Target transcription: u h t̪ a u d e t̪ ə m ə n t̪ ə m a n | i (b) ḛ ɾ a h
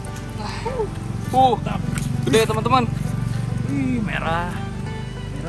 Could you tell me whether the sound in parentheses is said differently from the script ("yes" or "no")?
yes